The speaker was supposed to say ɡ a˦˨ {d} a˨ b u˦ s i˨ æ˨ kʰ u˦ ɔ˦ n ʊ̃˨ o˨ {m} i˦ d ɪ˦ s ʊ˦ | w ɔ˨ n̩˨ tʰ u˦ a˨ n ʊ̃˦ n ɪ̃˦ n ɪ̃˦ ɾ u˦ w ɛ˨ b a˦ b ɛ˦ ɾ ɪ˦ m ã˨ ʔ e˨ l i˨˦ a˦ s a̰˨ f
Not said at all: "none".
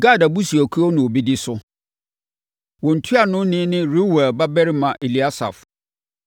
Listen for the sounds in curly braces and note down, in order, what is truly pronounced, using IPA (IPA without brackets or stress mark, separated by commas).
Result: d, b